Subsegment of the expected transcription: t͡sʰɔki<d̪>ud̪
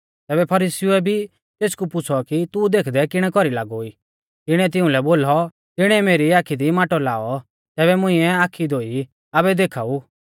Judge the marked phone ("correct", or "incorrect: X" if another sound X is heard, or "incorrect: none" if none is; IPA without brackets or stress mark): incorrect: t̪